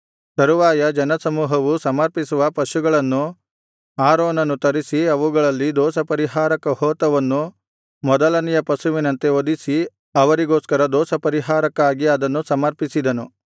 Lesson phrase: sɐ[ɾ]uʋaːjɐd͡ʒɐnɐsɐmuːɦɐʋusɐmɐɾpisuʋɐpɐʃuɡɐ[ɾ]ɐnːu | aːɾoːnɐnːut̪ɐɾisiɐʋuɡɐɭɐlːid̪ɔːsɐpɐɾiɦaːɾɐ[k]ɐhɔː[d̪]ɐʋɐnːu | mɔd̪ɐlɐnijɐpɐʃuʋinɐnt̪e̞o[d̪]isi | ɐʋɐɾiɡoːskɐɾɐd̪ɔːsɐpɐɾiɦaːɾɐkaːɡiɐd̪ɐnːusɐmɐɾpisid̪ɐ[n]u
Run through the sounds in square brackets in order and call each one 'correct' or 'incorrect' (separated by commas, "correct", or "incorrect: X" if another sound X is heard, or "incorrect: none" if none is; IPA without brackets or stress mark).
correct, incorrect: ɭ, correct, incorrect: t̪, correct, correct